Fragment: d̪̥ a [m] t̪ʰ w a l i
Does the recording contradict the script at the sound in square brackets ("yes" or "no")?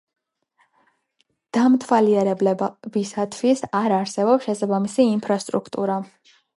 no